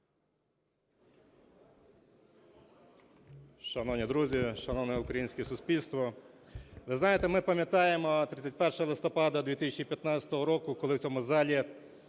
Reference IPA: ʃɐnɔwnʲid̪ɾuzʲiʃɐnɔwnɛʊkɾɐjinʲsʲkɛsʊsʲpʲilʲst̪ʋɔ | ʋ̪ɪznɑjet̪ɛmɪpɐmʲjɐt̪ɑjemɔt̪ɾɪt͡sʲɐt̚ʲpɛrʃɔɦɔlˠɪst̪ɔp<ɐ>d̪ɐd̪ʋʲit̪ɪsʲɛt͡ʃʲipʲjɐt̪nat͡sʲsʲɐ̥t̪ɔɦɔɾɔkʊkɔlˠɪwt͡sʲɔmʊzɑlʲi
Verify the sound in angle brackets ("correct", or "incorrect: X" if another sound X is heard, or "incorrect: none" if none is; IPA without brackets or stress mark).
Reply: incorrect: ɑ